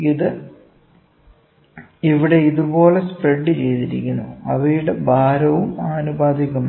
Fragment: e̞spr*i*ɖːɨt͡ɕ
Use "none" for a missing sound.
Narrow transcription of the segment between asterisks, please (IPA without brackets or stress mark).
e